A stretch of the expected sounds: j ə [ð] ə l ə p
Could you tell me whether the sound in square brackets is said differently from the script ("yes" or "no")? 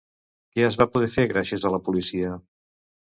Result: yes